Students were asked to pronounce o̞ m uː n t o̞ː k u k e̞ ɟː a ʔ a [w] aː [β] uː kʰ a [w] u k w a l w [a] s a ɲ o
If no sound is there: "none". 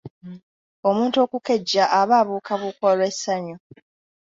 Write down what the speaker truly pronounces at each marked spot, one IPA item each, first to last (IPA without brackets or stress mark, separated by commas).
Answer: β, β, β, e